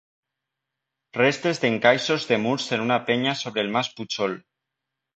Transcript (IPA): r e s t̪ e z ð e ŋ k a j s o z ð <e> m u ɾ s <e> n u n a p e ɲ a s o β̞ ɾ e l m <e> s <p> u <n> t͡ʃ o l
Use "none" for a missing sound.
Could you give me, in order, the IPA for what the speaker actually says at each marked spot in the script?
e, e, a, p, none

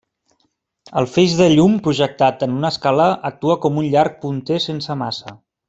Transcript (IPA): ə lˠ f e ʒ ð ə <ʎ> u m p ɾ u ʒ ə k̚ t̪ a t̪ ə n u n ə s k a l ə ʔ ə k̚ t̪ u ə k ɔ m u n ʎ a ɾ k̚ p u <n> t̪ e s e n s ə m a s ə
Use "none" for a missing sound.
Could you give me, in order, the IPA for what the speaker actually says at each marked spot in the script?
ʎ, n

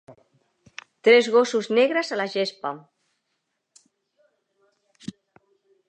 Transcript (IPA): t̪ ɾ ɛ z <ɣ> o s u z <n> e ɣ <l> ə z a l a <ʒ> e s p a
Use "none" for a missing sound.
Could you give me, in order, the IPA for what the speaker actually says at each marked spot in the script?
ɣ, n, ɾ, ʒ

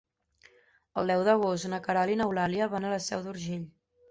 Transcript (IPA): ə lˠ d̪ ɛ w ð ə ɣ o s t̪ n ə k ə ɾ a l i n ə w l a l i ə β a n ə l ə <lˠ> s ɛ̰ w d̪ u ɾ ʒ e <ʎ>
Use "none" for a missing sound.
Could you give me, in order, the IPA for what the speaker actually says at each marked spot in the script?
none, ʎ

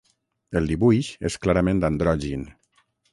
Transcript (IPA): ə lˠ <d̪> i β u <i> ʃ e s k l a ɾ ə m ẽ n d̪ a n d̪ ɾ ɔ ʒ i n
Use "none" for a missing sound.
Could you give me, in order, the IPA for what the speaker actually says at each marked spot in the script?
d̪, j

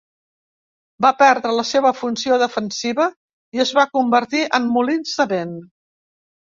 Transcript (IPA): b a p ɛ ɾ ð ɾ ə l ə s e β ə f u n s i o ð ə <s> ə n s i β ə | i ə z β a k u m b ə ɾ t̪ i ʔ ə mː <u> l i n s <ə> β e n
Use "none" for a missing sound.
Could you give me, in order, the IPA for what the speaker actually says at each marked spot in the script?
f, u, ə

